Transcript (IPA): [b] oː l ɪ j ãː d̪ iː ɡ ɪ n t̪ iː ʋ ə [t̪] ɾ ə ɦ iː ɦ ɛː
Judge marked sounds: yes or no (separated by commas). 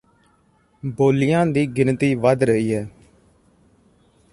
yes, no